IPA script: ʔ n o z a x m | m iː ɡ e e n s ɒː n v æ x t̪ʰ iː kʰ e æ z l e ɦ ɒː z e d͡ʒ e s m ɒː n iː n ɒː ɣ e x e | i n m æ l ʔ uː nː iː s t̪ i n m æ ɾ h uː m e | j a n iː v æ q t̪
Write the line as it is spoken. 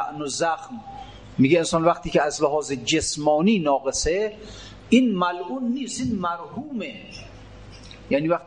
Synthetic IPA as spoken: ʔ n o z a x m | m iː ɡ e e n s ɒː n v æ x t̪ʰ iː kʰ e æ z l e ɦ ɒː z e d͡ʒ e s m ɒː n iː n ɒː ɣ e s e | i n m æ l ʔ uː nː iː s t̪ i n m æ ɾ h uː m e | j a n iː v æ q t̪